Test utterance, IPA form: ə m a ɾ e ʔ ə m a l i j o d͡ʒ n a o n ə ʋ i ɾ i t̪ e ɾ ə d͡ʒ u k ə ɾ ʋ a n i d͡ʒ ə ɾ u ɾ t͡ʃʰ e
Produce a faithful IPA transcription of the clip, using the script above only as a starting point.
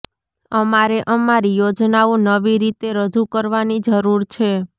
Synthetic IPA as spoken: ə m a ɾ e ʔ ə m a ɾ i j o d͡ʒ n a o n ə ʋ i ɾ i t̪ e ɾ ə d͡ʒ u k ə ɾ ʋ a n i d͡ʒ ə ɾ u ɾ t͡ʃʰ e